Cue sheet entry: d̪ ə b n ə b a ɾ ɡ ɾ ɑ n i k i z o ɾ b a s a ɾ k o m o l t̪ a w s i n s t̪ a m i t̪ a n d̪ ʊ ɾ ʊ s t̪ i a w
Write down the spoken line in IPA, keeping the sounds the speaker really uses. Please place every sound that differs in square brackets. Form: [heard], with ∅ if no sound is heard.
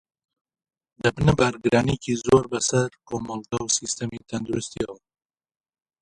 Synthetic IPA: d̪ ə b n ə b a ɾ ɡ ɾ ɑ n i k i z o ɾ b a s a ɾ k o m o l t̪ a w s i [∅] s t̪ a m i t̪ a n d̪ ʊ ɾ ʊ s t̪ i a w